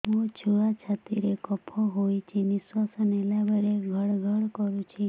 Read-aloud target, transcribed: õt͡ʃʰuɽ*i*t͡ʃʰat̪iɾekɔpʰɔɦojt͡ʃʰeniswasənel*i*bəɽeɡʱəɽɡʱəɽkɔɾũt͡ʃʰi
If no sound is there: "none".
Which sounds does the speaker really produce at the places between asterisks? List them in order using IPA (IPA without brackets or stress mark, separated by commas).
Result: a, a